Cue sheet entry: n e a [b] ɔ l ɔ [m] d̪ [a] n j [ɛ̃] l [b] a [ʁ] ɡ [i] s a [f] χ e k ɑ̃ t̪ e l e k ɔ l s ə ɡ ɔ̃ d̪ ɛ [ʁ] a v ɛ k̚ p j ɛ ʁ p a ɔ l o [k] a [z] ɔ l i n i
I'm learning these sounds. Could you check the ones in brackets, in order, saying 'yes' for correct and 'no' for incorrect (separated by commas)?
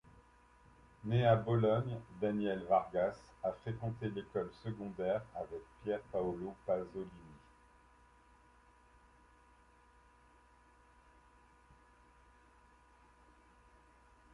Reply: yes, no, yes, no, no, yes, no, yes, yes, no, yes